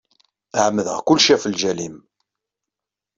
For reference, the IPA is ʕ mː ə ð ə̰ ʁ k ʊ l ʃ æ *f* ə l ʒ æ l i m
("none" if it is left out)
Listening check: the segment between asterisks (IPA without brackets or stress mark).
f